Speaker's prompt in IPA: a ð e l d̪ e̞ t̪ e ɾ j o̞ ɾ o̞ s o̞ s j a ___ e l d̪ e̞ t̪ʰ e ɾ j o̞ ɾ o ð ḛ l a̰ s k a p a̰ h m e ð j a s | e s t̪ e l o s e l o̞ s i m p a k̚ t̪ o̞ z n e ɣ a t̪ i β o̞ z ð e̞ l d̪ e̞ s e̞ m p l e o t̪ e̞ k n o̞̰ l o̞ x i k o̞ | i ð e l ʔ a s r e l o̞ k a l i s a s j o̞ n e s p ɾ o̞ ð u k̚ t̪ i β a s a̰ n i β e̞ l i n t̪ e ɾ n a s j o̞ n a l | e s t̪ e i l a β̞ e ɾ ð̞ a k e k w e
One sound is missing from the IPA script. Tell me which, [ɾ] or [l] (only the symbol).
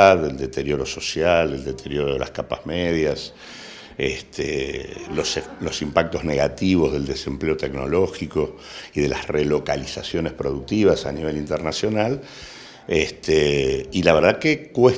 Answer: l